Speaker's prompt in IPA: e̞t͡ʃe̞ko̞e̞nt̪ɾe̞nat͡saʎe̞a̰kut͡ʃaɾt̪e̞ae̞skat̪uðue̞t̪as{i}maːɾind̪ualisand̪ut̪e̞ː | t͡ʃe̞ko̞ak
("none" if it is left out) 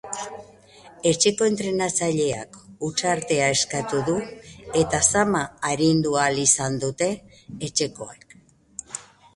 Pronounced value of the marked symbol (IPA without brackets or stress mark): a